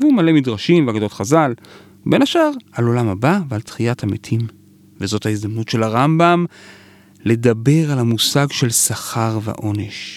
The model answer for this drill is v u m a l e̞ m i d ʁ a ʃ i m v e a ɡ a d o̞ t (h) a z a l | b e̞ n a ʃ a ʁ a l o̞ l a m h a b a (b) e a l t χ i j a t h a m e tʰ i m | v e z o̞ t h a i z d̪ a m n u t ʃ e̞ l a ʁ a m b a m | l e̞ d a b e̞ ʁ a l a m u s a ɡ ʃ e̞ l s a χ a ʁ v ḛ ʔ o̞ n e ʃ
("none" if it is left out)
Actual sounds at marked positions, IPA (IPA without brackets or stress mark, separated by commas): χ, v